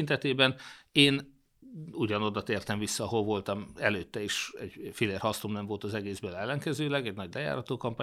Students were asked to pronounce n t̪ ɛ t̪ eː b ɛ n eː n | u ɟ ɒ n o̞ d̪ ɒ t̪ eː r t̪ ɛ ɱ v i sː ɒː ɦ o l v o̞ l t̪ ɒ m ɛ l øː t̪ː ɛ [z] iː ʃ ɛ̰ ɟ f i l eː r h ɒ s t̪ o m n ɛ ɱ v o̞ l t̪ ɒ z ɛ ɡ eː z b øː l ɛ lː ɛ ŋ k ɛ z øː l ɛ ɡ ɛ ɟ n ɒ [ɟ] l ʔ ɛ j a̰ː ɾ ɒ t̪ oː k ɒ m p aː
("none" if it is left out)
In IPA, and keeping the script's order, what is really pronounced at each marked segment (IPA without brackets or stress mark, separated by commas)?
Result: none, ɟ